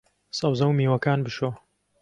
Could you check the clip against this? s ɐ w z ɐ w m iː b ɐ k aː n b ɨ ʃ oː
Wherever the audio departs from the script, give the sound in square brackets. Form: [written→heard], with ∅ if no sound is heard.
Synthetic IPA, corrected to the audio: s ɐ w z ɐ w m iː [b→w] ɐ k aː n b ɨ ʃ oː